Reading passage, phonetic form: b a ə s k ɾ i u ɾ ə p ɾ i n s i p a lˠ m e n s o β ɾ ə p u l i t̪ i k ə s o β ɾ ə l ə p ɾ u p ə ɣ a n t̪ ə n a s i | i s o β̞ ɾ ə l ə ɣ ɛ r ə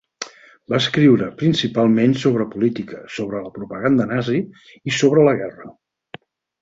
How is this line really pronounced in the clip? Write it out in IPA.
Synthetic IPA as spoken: b a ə s k ɾ i w ɾ ə p ɾ i n s i p a lˠ m e n s o β ɾ ə p u l i t̪ i k ə s o β ɾ ə l ə p ɾ u p ə ɣ a n d̪ ə n a z i | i s o β̞ ɾ ə l ə ɣ ɛ r ə